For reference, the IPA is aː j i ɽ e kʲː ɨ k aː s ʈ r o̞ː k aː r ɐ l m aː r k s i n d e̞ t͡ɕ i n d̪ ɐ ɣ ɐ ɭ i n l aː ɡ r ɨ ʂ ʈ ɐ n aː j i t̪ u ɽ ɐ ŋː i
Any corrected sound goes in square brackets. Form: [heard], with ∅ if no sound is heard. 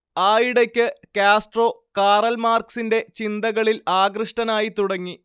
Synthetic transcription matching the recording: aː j i ɽ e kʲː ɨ k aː s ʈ r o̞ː k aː r ɐ l m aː r k s i n d e̞ t͡ɕ i n d̪ ɐ ɣ ɐ ɭ i [∅] l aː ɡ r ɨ ʂ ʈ ɐ n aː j i t̪ u ɽ ɐ ŋː i